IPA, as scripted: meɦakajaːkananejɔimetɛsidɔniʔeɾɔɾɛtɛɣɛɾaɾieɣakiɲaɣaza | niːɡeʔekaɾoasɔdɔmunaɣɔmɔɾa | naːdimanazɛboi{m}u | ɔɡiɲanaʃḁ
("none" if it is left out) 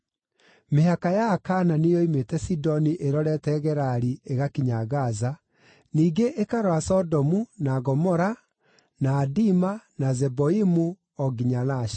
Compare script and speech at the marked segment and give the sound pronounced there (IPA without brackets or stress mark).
m